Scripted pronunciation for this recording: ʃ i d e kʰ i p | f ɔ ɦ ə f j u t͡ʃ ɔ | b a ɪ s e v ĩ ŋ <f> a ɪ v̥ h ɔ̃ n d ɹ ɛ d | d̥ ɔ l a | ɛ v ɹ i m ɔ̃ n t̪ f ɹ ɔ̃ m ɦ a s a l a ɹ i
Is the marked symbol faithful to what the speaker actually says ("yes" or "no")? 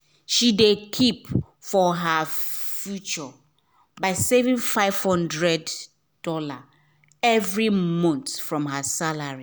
yes